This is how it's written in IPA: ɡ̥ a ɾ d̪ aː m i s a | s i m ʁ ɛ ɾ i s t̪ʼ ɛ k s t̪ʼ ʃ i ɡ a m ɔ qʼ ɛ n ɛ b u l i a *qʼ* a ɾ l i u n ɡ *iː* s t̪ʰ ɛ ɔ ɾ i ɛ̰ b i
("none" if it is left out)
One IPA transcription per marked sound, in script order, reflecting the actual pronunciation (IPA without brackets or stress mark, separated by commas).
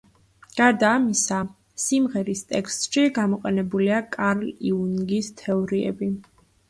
kʼ, i